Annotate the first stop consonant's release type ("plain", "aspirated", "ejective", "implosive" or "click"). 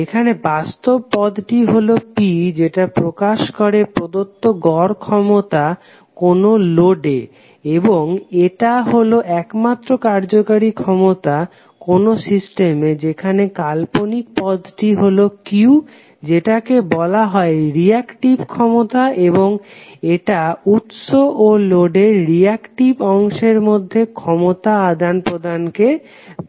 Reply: aspirated